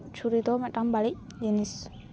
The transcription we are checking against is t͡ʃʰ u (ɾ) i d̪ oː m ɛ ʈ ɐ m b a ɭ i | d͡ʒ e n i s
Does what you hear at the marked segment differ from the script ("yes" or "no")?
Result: no